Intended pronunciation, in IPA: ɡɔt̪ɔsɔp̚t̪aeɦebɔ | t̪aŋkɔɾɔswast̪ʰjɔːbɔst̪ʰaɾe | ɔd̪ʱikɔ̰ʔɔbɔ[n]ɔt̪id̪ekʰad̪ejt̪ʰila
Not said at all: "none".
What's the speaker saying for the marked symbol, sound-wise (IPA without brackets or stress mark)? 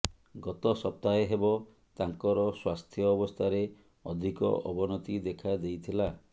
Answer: n